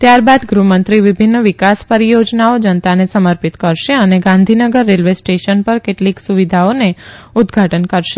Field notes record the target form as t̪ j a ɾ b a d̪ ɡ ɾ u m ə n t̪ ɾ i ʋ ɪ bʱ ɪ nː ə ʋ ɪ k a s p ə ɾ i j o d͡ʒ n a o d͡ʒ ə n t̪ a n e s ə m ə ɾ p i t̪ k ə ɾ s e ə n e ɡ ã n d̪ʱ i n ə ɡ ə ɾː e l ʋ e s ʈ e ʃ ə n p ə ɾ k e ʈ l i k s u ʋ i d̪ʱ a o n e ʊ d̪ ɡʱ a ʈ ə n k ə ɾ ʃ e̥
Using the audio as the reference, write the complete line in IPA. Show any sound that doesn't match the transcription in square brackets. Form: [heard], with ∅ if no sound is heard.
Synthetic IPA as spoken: t̪ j a ɾ b a d̪ ɡ ɾ u m ə n t̪ ɾ i ʋ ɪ bʱ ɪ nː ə ʋ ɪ k a s p ə ɾ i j o d͡ʒ n a o d͡ʒ ə n t̪ a n e s ə m ə ɾ p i t̪ k ə ɾ [ʃ] e ə n e ɡ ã n d̪ʱ i n ə ɡ ə ɾː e l ʋ e s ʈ e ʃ ə n p ə ɾ k e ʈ l i k s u ʋ i d̪ʱ a o n e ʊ d̪ ɡʱ a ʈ ə n k ə ɾ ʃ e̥